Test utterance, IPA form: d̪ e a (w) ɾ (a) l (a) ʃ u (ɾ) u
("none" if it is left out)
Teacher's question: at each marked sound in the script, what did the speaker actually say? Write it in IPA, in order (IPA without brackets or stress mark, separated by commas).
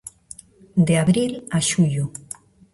β, i, a, ʎ